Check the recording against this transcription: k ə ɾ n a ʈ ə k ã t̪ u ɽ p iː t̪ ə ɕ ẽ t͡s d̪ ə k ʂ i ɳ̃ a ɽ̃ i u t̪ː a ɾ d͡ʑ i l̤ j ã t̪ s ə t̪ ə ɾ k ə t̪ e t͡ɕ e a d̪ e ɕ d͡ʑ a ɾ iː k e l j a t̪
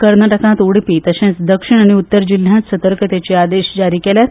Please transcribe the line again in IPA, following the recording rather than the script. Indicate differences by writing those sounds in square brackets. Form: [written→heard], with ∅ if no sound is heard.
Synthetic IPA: k ə ɾ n a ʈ ə k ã t̪ u ɽ p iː t̪ ə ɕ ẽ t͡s d̪ ə k ʂ i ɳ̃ a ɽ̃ i u t̪ː [a→ə] ɾ d͡ʑ i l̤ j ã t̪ s ə t̪ ə ɾ k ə t̪ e t͡ɕ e a d̪ e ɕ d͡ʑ a ɾ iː k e l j a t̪